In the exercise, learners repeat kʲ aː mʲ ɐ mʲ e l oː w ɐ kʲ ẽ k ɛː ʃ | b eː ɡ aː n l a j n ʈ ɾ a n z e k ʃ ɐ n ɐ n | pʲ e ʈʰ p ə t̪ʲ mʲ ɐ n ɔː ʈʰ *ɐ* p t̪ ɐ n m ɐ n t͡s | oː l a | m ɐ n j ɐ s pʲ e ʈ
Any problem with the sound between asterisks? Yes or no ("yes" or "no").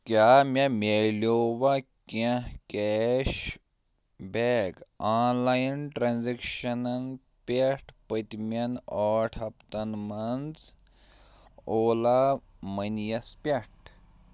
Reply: no